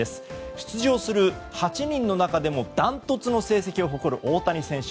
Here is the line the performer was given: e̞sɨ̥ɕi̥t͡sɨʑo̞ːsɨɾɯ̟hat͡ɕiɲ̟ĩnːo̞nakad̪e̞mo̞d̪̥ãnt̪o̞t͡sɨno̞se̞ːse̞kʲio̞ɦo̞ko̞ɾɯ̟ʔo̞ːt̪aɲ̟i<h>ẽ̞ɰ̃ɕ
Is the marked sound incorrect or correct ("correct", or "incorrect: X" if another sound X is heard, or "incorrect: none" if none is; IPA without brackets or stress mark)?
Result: incorrect: s